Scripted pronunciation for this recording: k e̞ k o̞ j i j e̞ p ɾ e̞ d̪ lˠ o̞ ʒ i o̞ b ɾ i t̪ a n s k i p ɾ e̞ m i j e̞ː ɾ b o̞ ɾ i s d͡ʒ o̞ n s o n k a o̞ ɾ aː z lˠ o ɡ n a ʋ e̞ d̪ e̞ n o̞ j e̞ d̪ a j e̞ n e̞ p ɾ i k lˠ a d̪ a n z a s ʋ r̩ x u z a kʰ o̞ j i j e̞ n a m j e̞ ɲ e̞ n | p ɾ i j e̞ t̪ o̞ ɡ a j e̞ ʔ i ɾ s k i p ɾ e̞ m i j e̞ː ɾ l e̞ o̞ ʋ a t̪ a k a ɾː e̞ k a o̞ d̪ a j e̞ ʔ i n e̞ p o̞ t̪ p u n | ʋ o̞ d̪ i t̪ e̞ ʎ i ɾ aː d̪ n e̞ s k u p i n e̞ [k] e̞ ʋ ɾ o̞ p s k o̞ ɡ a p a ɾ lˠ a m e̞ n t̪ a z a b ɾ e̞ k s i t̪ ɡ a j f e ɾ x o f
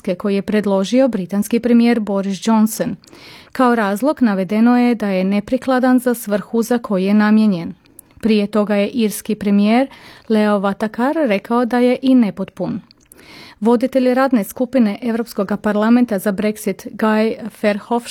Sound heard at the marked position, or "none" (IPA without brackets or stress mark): ʔ